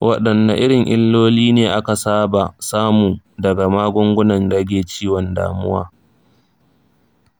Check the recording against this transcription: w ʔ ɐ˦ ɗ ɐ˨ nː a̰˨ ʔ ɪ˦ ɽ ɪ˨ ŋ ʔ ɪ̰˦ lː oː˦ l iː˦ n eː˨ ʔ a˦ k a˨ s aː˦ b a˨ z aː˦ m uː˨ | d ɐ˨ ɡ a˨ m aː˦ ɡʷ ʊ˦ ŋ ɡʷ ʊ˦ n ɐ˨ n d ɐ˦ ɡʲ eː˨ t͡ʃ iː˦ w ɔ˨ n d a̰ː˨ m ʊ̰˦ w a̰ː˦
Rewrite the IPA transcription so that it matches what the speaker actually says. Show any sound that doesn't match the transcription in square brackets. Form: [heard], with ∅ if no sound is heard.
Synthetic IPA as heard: w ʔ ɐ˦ ɗ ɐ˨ nː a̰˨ ʔ ɪ˦ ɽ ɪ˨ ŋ ʔ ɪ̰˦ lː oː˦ l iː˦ n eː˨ ʔ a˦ k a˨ s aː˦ b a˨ [s] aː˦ m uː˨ | d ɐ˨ ɡ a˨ m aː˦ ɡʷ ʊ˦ ŋ ɡʷ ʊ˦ n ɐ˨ n d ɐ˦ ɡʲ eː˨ t͡ʃ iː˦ w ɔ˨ n d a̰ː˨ m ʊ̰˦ w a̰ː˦